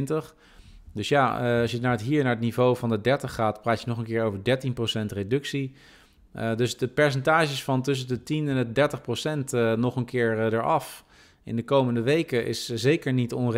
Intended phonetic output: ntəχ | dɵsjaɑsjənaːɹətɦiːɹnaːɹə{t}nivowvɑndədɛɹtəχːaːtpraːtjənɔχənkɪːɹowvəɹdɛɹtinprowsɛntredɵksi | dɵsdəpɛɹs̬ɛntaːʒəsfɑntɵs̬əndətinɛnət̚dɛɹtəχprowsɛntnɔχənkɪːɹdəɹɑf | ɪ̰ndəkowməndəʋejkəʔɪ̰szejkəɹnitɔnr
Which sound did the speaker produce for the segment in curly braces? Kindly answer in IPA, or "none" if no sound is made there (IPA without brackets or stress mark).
t